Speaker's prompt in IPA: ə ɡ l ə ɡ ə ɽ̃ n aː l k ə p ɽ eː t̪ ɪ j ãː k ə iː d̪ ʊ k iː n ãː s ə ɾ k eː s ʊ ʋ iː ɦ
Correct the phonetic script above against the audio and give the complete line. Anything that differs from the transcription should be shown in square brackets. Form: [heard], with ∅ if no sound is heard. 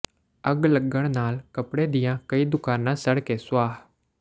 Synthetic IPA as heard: ə ɡ l ə ɡ ə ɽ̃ n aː l k ə p ɽ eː [d̪] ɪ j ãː k ə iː d̪ ʊ k [aː] n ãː s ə [ɽ] k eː s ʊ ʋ [aː] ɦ